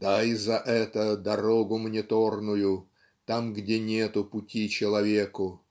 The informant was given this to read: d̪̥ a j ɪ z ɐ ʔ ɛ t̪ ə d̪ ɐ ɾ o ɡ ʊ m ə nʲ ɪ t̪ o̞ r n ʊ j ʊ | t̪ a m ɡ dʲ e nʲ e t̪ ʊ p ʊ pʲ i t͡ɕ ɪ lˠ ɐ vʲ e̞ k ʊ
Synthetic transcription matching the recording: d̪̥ a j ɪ z ɐ ʔ ɛ t̪ ə d̪ ɐ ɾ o ɡ ʊ m ə nʲ ɪ t̪ o̞ r n ʊ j ʊ | t̪ a m ɡ dʲ e nʲ e t̪ ʊ p ʊ tʲ i t͡ɕ ɪ lˠ ɐ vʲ e̞ k ʊ